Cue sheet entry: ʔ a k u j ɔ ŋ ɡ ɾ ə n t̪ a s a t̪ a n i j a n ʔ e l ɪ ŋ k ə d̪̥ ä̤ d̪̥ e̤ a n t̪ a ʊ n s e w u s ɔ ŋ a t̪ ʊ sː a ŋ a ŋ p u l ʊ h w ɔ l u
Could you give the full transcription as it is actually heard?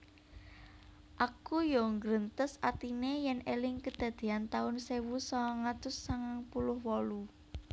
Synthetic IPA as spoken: ʔ a k u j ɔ ŋ ɡ ɾ ə n t̪ ə s a t̪ i n e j ɛ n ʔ e l ɪ ŋ k ə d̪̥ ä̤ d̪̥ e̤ a n t̪ a ʊ n s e w u s ɔ ŋ a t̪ ʊ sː a ŋ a ŋ p u l ʊ h w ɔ l u